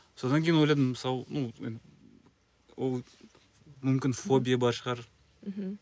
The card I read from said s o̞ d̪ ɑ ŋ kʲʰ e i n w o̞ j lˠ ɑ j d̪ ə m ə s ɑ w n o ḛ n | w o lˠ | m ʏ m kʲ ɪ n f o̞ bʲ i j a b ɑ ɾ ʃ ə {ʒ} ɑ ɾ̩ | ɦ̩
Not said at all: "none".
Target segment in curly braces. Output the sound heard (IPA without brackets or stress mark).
ʁ